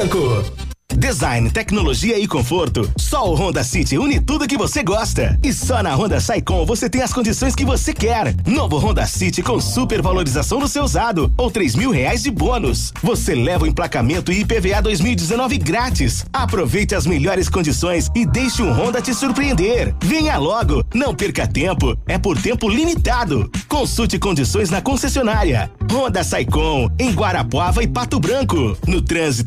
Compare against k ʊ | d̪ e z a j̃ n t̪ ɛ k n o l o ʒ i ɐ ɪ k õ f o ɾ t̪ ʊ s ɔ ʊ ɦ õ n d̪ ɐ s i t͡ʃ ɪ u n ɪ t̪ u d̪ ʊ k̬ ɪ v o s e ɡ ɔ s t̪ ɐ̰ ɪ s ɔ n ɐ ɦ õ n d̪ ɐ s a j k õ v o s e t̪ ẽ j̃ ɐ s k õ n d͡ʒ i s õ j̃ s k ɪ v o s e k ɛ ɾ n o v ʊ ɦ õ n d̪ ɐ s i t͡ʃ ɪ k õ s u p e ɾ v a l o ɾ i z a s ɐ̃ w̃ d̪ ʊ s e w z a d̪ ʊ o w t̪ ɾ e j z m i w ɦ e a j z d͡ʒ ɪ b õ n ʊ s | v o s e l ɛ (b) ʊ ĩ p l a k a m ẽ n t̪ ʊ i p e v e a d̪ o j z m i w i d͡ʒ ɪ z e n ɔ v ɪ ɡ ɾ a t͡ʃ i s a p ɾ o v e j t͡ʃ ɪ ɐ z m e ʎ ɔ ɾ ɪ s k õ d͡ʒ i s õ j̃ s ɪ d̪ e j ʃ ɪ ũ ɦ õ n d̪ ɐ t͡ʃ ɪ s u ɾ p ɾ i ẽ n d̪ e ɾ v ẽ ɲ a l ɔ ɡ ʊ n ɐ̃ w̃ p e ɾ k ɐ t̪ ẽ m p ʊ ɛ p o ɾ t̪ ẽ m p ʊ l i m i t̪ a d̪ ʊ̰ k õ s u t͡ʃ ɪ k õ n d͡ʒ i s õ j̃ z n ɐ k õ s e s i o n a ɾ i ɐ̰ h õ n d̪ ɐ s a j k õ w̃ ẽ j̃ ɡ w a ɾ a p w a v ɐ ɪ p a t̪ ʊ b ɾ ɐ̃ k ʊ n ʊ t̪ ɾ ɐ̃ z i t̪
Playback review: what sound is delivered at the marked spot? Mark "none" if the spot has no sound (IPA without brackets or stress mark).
v